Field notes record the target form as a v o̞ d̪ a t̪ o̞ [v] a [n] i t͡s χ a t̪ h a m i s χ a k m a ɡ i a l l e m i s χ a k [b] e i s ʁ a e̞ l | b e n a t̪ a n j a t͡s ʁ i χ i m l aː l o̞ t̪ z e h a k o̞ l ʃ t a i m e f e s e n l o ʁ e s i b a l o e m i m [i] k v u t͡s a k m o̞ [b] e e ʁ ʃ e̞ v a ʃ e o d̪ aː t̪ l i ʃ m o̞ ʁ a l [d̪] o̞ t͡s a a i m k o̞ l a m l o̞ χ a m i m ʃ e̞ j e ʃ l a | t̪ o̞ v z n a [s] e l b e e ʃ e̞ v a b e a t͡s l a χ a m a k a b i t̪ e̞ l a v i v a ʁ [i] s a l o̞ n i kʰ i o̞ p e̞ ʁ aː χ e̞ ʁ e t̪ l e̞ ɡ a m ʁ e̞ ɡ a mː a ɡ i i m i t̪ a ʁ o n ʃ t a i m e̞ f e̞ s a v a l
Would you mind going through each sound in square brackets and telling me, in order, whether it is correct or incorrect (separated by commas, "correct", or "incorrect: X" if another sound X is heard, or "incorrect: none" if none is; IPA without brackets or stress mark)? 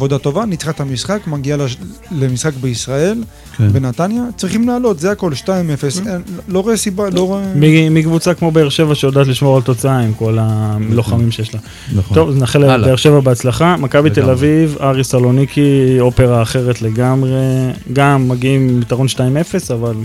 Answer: correct, correct, correct, correct, correct, incorrect: t̪, incorrect: χ, correct